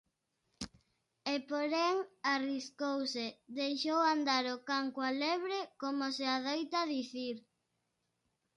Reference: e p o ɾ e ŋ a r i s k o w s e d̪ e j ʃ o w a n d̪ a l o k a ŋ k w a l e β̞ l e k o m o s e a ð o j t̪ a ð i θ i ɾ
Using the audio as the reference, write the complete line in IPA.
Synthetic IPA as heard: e p o ɾ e ŋ a r i s k o w s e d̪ e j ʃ o w a n d̪ a ɾ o k a ŋ k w a l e β̞ ɾ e k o m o s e a ð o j t̪ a ð i θ i ɾ